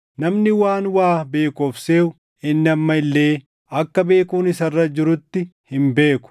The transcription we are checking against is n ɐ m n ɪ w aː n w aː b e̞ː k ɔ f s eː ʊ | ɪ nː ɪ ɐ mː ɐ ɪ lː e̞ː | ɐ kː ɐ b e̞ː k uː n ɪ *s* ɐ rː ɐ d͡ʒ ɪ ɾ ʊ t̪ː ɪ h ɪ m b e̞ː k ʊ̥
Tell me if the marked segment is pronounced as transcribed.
yes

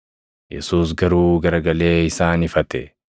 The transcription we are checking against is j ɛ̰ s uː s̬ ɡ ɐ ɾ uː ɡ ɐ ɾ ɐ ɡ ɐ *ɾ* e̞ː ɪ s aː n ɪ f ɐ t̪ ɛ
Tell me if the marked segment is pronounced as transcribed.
no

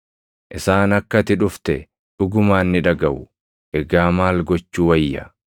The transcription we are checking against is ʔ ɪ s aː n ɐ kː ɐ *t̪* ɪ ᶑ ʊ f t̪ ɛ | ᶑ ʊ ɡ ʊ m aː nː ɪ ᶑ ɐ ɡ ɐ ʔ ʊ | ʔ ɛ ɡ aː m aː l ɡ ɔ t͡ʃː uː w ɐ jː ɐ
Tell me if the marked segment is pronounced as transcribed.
yes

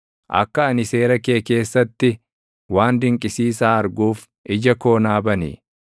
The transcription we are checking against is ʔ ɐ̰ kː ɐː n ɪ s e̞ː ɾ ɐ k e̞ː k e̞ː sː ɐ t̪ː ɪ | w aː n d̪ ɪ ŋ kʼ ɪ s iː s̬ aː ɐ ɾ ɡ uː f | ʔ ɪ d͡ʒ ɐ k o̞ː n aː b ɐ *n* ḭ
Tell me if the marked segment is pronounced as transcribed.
yes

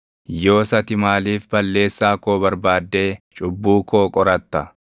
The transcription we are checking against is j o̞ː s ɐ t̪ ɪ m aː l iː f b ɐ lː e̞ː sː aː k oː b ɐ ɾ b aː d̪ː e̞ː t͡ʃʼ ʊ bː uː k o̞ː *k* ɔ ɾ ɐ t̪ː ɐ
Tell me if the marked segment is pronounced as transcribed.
no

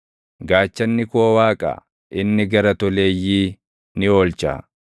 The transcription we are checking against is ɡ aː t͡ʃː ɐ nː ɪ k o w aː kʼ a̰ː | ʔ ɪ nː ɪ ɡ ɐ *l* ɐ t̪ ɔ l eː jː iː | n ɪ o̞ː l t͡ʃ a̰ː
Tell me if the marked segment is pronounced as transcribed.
no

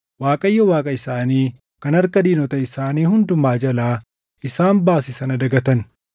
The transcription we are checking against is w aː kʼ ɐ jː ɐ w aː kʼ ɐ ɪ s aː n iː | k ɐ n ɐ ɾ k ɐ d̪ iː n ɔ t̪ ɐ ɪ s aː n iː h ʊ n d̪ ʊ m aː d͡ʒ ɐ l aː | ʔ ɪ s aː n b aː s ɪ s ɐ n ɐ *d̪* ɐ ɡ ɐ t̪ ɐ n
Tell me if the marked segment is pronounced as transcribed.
yes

